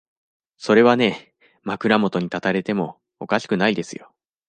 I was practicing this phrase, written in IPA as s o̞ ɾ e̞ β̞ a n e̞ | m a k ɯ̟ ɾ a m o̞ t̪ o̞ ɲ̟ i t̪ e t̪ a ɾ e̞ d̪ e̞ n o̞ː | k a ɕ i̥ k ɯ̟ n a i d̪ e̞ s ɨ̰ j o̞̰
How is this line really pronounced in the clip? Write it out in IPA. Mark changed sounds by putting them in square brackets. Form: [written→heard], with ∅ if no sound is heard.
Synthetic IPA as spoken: s o̞ ɾ e̞ β̞ a n e̞ | m a k ɯ̟ ɾ a m o̞ t̪ o̞ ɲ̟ i t̪ [e→a] t̪ a ɾ e̞ [d̪→t̪] e̞ [n→m] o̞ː | k a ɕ i̥ k ɯ̟ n a i d̪ e̞ s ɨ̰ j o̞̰